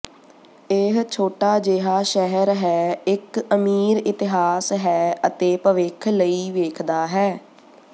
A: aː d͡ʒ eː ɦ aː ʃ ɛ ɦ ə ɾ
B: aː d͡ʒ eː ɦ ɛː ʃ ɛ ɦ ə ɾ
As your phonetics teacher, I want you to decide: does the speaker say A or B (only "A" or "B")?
A